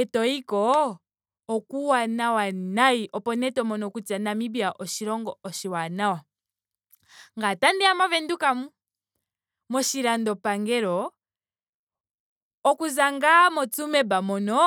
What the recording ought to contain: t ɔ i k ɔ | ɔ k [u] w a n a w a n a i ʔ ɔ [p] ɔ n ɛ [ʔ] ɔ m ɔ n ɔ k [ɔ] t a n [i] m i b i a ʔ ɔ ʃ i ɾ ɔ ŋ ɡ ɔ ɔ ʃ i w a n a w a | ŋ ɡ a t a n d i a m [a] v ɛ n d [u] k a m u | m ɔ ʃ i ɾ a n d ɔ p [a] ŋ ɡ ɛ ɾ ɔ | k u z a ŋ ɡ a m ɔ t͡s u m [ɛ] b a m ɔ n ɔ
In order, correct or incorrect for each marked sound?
correct, correct, incorrect, incorrect, incorrect, correct, correct, correct, correct

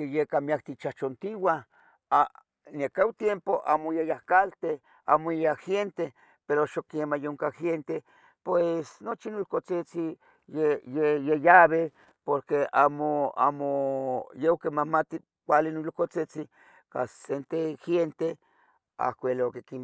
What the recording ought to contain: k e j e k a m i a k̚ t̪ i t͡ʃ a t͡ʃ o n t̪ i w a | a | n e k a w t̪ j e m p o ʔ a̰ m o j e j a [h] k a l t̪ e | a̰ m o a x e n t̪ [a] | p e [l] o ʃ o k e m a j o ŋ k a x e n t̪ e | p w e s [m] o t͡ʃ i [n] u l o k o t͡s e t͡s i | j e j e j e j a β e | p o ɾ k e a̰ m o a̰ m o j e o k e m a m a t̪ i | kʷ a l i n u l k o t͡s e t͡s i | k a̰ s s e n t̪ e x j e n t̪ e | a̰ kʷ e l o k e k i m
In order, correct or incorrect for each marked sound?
correct, incorrect, incorrect, incorrect, correct

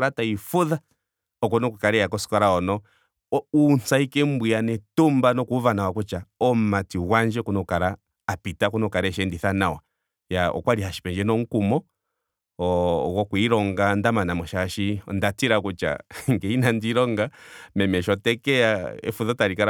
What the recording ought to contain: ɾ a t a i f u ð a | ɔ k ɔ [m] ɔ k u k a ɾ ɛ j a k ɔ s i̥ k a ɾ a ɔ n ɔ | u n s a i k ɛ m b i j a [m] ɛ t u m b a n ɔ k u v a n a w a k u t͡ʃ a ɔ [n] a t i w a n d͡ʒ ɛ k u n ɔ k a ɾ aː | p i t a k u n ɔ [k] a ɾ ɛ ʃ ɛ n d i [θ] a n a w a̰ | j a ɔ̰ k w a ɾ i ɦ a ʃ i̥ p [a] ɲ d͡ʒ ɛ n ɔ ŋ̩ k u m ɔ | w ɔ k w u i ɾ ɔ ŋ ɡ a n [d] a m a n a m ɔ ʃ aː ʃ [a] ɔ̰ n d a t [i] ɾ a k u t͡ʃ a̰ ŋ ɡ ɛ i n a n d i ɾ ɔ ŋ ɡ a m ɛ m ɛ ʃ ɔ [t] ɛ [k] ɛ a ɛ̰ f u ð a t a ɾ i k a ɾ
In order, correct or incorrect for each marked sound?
incorrect, incorrect, incorrect, correct, correct, incorrect, correct, incorrect, correct, correct, correct

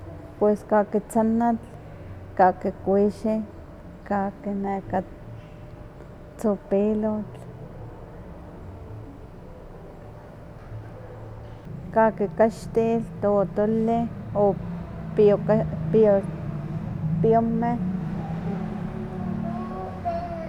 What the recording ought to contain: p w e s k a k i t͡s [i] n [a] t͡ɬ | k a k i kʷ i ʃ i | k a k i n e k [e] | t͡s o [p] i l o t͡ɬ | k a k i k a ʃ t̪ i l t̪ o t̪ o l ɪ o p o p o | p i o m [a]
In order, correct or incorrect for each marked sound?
incorrect, correct, incorrect, correct, incorrect

